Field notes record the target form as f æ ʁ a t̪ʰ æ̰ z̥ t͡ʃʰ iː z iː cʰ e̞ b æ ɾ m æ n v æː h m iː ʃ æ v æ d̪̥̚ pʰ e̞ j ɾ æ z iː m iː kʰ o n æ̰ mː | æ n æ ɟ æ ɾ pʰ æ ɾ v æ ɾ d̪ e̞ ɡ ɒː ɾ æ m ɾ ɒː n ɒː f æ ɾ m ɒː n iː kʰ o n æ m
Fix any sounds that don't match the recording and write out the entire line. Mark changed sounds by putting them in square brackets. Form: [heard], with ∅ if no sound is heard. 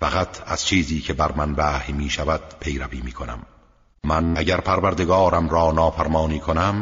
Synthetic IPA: f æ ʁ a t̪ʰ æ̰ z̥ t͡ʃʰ iː z iː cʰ e̞ b æ ɾ m æ n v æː h m iː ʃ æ v æ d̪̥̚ pʰ e̞ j ɾ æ [v] iː m iː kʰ o n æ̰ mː | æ n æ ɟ æ ɾ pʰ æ ɾ v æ ɾ d̪ e̞ ɡ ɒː ɾ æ m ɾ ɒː n ɒː f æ ɾ m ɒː n iː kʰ o n æ m